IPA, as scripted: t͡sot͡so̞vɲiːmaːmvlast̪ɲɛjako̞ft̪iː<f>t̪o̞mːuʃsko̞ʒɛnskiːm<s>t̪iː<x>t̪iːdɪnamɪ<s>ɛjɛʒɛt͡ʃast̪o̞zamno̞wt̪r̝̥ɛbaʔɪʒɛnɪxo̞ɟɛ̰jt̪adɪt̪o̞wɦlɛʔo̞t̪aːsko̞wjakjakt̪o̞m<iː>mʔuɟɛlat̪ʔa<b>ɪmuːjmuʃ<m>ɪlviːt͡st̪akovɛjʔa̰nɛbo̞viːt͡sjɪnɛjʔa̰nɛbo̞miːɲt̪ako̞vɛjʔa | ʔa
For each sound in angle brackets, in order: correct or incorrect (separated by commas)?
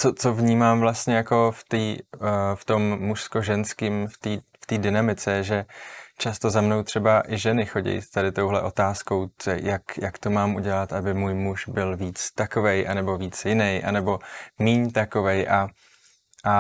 correct, incorrect, incorrect, incorrect, incorrect, correct, incorrect